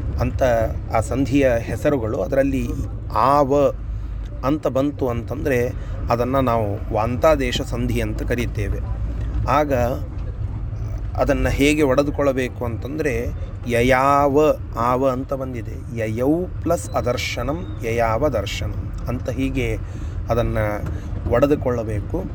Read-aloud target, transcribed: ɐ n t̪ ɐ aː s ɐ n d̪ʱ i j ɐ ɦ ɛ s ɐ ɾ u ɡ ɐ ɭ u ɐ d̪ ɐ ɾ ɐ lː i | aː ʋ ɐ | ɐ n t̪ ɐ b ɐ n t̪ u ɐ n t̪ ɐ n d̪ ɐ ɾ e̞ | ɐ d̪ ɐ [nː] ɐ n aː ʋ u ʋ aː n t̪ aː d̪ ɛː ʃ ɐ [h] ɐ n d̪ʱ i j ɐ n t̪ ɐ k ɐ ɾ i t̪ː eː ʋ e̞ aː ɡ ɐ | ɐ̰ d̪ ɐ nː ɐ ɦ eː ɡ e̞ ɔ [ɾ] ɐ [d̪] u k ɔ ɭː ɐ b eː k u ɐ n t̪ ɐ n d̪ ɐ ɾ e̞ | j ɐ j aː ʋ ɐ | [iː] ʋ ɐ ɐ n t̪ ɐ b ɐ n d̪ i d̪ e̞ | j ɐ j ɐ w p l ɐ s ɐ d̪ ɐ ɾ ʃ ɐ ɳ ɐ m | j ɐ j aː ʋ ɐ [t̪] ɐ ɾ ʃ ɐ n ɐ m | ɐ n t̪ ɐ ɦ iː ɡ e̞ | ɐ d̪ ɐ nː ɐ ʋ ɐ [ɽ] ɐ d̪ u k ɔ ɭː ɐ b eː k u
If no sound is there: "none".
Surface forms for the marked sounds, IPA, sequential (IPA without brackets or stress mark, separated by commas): nː, s, ɽ, d̪, aː, d̪, ɽ